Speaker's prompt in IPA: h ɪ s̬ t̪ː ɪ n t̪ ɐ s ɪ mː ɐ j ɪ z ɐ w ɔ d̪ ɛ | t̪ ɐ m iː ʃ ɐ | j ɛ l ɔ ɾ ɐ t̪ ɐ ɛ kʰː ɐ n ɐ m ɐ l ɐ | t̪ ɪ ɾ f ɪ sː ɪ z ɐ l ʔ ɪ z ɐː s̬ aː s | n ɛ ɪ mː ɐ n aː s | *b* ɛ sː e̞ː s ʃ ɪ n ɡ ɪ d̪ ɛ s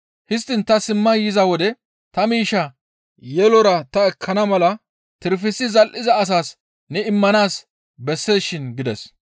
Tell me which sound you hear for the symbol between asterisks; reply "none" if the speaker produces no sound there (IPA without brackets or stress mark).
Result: b